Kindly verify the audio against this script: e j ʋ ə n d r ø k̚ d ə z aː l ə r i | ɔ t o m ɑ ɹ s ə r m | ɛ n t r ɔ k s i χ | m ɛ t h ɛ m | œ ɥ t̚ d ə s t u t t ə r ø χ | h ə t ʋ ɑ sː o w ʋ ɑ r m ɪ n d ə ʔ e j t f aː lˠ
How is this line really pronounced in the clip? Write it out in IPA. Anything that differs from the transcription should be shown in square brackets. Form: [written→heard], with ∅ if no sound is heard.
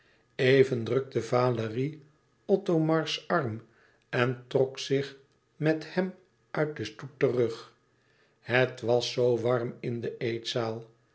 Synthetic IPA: e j [ʋ→v] ə n d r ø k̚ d ə [z→v] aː l ə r i | ɔ t o m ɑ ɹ s [ə→ɑ] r m | ɛ n t r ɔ k s [i→ɪ] χ | m ɛ t h ɛ m | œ ɥ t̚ d ə s t u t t ə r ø χ | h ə t ʋ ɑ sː o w ʋ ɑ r m ɪ n d ə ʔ e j t [f→s] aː lˠ